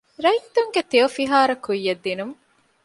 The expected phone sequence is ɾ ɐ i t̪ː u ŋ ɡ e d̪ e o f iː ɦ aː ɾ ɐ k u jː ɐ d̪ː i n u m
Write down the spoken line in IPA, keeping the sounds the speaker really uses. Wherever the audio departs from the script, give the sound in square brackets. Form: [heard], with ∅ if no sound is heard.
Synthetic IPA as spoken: ɾ ɐ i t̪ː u ŋ ɡ e [t̪] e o f [i] ɦ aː ɾ ɐ k u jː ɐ d̪ː i n u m